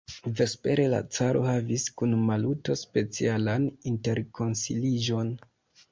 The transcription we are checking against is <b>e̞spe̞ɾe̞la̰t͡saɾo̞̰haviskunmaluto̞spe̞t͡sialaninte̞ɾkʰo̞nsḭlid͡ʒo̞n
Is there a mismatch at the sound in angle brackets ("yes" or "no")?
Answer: yes